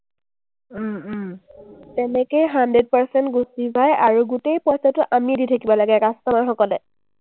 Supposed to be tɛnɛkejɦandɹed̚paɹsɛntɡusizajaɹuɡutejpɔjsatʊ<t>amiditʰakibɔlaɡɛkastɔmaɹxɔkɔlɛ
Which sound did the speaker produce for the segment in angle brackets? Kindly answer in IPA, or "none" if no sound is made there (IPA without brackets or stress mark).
ʔ